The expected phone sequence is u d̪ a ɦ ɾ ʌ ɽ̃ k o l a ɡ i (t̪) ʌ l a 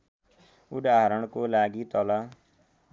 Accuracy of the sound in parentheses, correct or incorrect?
correct